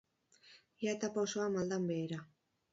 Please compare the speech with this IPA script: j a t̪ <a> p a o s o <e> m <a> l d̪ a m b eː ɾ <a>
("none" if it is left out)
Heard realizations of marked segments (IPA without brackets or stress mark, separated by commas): a, a, a, a